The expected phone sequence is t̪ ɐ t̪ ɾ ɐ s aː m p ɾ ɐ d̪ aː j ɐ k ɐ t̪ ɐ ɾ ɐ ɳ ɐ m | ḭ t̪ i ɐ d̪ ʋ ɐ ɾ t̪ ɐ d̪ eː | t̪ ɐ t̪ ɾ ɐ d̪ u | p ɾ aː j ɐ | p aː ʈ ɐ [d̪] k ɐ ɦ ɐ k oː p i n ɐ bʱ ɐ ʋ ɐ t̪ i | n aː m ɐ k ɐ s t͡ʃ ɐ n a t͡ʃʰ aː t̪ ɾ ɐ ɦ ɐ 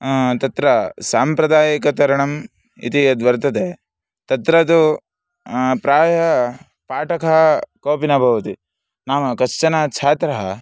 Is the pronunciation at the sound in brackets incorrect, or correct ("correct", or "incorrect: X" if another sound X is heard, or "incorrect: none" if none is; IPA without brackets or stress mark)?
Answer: incorrect: none